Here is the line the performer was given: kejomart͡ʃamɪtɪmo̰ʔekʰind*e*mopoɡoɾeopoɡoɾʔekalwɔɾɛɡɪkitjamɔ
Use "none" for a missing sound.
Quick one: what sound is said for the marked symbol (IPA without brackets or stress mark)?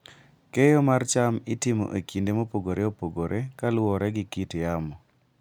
e